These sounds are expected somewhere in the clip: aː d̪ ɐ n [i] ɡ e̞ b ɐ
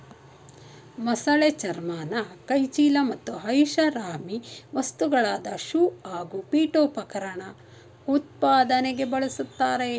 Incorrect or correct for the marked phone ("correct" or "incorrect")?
incorrect